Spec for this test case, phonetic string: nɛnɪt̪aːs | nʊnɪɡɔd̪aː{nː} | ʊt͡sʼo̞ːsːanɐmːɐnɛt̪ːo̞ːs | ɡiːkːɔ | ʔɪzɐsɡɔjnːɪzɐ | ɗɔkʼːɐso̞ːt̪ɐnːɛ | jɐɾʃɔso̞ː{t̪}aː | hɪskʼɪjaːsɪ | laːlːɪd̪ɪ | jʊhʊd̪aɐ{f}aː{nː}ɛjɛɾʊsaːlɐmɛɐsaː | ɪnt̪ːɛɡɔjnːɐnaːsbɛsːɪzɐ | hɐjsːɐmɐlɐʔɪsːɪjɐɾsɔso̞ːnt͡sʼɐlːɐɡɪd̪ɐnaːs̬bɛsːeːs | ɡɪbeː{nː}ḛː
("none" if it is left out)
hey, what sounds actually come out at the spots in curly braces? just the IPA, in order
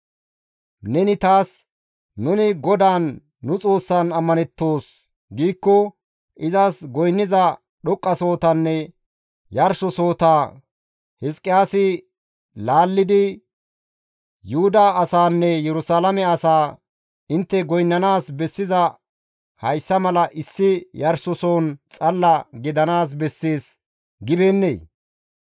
nː, t̪, s, nː, nː

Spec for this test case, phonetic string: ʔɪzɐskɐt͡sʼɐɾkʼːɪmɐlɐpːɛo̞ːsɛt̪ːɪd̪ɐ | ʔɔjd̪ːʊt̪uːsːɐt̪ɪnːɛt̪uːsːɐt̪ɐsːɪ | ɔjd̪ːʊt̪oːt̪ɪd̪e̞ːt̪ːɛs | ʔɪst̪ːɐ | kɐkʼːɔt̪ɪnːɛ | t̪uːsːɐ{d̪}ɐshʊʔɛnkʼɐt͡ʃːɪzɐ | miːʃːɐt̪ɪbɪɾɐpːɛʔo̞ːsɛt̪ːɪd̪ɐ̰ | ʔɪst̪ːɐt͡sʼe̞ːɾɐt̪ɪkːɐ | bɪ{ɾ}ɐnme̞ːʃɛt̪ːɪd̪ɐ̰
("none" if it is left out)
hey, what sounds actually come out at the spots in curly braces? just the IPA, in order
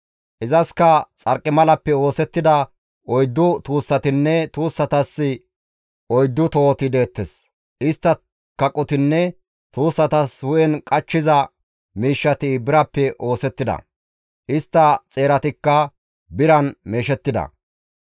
t̪, ɾ

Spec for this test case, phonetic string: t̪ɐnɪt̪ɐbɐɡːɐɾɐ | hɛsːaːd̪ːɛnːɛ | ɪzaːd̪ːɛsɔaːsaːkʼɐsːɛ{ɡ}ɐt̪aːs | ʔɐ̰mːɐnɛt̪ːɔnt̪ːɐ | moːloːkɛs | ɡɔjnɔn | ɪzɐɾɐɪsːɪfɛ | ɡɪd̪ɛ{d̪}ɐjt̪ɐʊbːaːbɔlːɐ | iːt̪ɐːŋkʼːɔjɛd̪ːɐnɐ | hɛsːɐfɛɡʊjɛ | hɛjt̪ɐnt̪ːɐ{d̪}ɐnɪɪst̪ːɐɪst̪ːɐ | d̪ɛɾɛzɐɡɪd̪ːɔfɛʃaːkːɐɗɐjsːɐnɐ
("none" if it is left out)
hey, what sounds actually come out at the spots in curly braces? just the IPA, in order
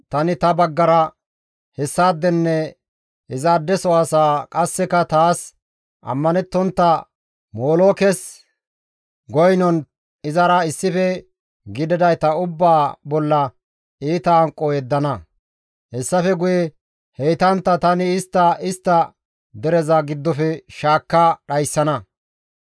k, d̪, t̪

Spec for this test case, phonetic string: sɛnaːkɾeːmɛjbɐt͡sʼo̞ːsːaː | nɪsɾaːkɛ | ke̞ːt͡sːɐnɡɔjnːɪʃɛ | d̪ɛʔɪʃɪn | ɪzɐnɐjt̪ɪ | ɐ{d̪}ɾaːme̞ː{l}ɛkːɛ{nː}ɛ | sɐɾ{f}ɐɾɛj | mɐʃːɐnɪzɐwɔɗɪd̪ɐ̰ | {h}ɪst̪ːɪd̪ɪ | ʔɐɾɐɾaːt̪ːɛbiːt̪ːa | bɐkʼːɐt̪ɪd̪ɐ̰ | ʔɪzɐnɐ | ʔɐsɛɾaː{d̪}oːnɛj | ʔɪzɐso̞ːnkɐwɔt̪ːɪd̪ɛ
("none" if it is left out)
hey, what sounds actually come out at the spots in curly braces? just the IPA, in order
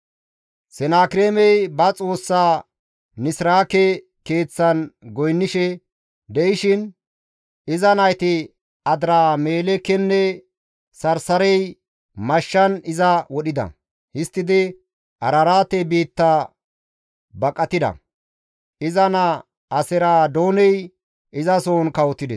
d̪, l, nː, s, h, d̪

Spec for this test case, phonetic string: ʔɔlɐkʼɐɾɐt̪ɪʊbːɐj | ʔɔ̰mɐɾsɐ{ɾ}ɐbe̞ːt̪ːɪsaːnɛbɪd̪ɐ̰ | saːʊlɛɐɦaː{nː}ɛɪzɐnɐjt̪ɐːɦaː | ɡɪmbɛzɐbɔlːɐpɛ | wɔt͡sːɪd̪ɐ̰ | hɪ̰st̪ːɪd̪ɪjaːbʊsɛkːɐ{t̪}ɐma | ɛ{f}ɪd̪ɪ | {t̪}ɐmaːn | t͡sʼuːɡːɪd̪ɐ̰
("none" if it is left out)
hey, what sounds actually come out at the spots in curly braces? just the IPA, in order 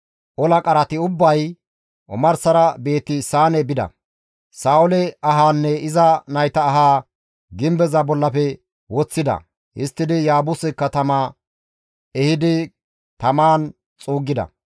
ɾ, nː, t̪, h, t̪

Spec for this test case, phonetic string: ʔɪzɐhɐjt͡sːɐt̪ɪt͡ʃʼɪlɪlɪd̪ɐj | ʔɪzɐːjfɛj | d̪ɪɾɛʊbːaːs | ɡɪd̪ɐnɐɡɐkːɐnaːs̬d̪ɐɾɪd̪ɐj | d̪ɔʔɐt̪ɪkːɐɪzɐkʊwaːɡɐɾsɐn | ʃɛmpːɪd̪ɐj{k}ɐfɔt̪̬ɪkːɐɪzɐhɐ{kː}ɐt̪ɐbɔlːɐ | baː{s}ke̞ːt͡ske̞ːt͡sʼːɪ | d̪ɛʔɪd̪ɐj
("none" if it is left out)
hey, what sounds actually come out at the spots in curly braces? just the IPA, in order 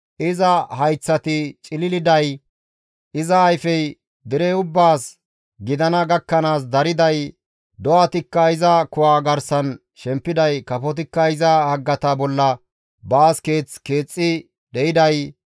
k, ɡː, s

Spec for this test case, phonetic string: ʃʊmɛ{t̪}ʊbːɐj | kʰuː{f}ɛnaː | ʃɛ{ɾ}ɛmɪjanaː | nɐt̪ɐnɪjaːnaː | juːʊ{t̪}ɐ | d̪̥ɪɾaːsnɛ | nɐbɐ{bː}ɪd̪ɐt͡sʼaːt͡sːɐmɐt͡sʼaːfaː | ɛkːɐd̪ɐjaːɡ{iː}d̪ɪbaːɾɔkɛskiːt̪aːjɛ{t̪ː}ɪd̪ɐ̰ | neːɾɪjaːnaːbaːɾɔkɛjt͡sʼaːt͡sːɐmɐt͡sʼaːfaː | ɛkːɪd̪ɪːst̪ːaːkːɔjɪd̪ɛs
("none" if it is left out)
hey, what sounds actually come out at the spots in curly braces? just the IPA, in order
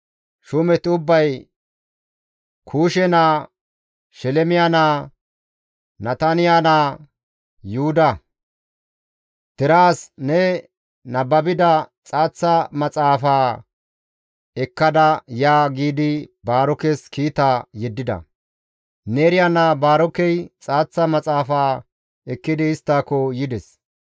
t̪, ʃ, l, d̪, b, iː, d̪ː

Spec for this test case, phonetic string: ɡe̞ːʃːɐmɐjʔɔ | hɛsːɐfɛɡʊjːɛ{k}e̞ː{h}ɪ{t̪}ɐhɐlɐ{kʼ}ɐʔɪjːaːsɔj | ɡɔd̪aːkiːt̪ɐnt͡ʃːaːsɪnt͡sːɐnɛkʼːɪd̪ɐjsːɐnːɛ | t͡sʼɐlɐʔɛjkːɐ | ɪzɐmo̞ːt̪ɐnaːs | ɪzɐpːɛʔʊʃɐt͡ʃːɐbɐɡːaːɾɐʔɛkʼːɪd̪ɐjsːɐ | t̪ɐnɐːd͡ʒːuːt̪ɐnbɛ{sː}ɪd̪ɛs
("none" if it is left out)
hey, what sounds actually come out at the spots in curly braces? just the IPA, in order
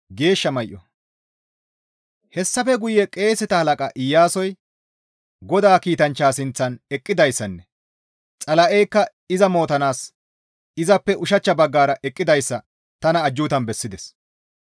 kʼ, s, t̪, kʼ, sː

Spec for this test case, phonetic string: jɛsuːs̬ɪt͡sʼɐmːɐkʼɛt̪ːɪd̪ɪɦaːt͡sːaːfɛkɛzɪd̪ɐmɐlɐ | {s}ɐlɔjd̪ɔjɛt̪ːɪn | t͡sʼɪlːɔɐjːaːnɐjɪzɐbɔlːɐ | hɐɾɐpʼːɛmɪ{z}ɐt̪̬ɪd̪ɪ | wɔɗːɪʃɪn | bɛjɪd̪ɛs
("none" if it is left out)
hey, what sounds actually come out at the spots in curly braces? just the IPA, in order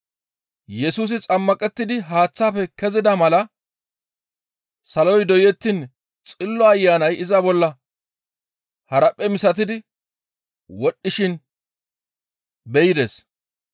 s, s

